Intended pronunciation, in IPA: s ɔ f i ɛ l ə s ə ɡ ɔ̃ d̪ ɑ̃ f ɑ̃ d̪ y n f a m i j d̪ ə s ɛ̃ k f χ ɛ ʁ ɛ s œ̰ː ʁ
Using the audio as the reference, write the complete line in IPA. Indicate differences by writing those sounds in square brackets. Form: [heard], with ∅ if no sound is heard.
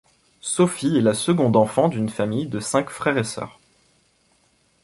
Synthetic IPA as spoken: s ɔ f i ɛ l [a] s ə ɡ ɔ̃ d̪ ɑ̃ f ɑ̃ d̪ y n f a m i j d̪ ə s ɛ̃ k f χ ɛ ʁ [e] s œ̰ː ʁ